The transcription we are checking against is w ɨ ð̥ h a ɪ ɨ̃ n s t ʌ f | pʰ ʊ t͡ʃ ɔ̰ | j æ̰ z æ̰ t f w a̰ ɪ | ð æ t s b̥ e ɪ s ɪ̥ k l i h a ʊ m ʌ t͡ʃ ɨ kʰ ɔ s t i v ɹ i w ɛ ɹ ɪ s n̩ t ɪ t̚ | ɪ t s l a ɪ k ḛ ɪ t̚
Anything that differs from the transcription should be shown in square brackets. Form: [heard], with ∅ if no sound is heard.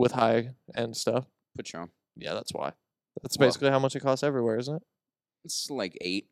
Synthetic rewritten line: w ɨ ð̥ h a ɪ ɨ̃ n s t ʌ f | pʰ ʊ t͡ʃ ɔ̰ | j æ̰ [ð] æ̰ t [s] w a̰ ɪ | ð æ t s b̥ e ɪ s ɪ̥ k l i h a ʊ m ʌ t͡ʃ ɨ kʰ ɔ s t [ɛ] v ɹ i w ɛ ɹ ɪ [z] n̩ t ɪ t̚ | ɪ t s l a ɪ k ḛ ɪ t̚